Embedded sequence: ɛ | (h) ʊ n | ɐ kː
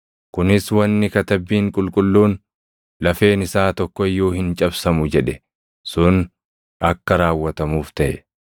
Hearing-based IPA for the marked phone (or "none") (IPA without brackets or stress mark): s